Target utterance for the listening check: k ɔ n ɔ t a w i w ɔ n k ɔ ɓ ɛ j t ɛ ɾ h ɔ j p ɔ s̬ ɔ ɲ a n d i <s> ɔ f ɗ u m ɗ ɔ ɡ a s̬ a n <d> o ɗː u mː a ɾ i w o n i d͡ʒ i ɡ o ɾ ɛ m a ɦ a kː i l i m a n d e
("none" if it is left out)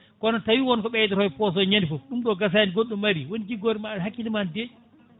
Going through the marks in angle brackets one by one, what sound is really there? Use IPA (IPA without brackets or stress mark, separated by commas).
f, ɡ